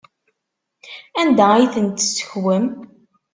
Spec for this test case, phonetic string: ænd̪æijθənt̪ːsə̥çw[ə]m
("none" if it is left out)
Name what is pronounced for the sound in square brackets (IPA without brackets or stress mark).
ə